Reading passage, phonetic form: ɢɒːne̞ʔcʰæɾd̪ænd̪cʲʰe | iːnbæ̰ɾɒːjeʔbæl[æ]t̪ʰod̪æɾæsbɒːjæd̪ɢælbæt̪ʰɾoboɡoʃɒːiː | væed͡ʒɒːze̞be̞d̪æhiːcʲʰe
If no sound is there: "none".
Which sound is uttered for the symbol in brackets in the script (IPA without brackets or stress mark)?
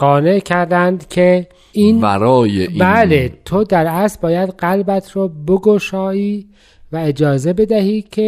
e